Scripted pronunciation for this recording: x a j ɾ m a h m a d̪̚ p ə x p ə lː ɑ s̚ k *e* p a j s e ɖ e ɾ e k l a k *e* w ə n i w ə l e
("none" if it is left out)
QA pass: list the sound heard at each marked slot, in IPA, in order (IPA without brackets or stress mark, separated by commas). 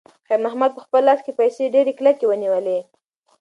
e, e